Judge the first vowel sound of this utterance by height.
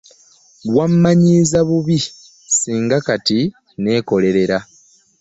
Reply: low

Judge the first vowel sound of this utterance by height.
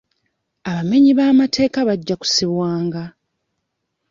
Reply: low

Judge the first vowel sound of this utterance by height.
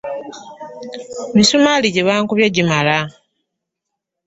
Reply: high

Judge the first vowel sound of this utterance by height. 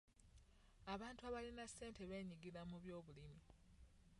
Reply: low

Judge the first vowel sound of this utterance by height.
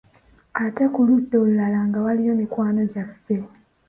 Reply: low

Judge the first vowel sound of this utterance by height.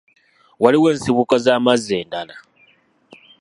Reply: low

